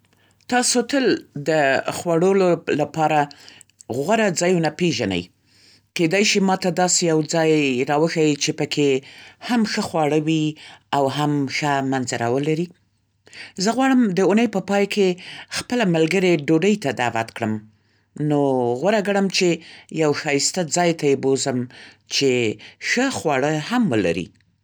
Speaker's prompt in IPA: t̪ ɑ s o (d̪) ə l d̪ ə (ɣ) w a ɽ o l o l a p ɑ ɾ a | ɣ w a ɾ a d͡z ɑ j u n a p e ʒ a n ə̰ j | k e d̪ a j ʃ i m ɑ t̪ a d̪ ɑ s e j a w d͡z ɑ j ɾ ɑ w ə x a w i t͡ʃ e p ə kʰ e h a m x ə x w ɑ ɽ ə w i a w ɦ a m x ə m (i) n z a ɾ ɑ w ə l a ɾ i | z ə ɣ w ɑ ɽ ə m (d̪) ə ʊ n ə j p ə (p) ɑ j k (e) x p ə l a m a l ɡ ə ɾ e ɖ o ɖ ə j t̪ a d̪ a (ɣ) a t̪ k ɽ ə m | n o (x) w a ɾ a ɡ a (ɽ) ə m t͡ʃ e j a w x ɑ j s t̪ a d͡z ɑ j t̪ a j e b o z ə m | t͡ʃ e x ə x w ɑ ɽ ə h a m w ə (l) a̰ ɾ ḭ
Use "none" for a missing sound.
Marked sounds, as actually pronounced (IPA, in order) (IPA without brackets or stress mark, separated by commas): t̪, x, a, d̪, p, e, w, ɣ, ɽ, l